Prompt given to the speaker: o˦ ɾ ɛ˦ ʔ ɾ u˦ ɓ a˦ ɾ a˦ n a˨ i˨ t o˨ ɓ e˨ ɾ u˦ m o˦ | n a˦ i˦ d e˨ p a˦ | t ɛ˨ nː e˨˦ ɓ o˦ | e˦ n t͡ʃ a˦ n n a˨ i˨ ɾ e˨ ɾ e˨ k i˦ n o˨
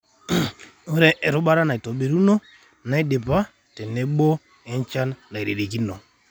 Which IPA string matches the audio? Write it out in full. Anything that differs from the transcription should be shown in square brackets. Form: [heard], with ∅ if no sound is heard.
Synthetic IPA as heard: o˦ ɾ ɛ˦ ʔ ɾ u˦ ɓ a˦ ɾ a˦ n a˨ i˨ t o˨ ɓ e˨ ɾ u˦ [n] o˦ | n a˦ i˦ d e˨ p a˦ | t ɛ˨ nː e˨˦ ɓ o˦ | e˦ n t͡ʃ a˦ n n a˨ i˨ ɾ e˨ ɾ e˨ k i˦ n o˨